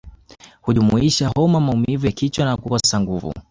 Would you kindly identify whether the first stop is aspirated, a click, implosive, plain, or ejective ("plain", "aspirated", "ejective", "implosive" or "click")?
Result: implosive